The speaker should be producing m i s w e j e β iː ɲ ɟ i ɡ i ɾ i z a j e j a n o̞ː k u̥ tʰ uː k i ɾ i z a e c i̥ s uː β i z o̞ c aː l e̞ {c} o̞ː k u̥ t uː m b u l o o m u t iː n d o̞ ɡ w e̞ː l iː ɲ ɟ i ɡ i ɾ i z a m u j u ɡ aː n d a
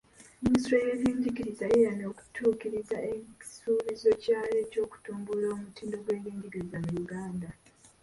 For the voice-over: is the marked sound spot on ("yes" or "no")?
yes